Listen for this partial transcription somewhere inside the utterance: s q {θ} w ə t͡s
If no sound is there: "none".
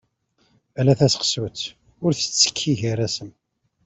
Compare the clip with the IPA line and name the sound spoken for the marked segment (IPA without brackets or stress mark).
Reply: s